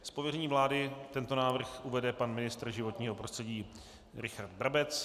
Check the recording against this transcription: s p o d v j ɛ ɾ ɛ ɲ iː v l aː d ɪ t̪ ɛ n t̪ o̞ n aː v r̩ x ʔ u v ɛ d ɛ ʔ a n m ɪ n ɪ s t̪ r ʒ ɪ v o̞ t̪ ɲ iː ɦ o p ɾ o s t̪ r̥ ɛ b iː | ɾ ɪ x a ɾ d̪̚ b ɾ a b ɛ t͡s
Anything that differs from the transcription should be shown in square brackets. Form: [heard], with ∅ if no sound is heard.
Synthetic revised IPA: s p o [∅] v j ɛ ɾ ɛ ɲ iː v l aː d ɪ t̪ ɛ n t̪ o̞ n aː v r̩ x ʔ u v ɛ d ɛ [p] a n m ɪ n ɪ s t̪ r ʒ ɪ v o̞ t̪ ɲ iː ɦ o p ɾ o s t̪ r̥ ɛ [ɟ] iː | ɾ ɪ x a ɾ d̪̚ b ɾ a b ɛ t͡s